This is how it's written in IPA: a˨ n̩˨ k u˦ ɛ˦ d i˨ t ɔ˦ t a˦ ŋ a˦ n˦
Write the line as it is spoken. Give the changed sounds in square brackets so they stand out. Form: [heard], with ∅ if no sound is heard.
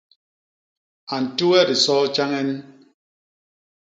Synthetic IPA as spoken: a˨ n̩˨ [t] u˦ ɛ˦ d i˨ [s] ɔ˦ [t͡ʃ] a˦ ŋ [ɛ˦] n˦